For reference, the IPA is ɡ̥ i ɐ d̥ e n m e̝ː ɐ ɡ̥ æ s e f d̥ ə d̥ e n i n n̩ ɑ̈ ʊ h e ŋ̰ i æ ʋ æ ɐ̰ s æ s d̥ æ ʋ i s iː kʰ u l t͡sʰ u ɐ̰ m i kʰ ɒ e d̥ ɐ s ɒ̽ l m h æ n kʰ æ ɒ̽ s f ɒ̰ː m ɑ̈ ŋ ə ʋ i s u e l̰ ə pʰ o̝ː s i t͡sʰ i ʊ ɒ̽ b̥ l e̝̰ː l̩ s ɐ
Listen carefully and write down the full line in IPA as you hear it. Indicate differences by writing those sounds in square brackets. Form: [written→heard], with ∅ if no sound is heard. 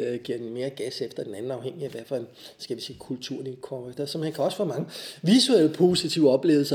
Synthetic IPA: ɡ̥ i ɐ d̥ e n m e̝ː ɐ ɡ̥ æ s e f d̥ [ə→ɐ] d̥ e n [i→æ] n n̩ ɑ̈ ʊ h e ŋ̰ i æ ʋ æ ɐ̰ [s→f] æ s [d̥→ɡ̥] æ ʋ i s iː kʰ u l t͡sʰ u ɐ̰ [m→n] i kʰ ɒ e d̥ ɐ s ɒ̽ [l→∅] m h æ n kʰ æ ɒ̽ s f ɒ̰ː m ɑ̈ ŋ ə ʋ i s u e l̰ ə pʰ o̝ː s i t͡sʰ i ʊ ɒ̽ b̥ l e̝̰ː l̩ s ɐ